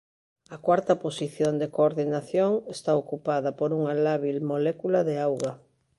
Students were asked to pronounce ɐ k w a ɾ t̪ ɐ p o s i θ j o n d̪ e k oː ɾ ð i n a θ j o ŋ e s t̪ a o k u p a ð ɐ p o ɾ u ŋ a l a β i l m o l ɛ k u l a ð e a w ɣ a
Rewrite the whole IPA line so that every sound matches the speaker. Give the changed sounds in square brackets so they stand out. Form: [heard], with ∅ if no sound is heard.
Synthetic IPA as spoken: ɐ k w a ɾ t̪ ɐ p o s i θ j o n d̪ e k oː ɾ ð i n a θ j o ŋ e s t̪ a o k u p a ð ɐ p o ɾ u ŋ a l a β i l m o l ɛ k u l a ð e a w ɣ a